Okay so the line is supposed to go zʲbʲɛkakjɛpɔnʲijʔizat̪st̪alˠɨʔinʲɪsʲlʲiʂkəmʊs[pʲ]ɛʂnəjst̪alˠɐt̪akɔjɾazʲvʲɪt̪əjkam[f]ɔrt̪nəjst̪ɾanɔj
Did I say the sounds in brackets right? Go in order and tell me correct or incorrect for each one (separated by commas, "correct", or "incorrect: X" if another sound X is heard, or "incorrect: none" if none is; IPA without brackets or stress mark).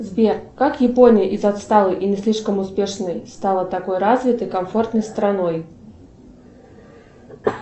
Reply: correct, correct